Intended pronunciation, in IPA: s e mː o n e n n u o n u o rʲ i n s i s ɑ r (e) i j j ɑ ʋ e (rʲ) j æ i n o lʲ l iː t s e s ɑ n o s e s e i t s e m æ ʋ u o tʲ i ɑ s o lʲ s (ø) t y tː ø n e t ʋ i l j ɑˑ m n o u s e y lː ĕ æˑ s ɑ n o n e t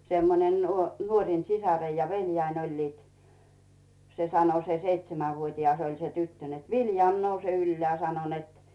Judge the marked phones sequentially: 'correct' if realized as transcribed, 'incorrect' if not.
correct, incorrect, incorrect

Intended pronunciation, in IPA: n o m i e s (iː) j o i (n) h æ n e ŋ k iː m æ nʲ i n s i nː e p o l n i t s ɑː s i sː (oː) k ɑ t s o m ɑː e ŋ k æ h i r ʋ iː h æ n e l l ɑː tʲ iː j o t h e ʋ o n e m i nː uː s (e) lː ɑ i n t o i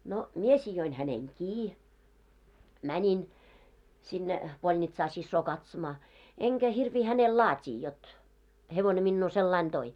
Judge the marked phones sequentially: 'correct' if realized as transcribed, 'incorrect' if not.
incorrect, correct, correct, correct

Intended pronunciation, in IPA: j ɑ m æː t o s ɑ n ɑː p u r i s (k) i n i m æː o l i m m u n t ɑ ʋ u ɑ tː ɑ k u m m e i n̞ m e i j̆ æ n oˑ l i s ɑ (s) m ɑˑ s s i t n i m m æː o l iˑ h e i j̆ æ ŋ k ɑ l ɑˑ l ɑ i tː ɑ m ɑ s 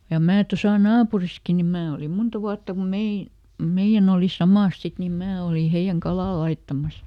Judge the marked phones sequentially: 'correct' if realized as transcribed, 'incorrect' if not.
correct, incorrect

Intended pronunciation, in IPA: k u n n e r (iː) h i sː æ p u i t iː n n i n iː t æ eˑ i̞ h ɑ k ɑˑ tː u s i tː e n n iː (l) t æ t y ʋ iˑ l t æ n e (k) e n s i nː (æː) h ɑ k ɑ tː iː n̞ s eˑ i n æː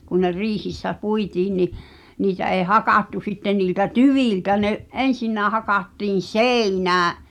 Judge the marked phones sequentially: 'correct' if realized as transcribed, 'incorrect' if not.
correct, correct, incorrect, correct

